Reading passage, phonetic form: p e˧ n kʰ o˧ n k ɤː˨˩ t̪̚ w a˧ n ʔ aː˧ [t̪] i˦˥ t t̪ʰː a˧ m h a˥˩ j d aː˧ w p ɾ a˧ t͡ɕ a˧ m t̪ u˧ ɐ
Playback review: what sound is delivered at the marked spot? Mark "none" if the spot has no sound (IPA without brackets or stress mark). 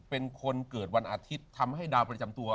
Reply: t̪ʰ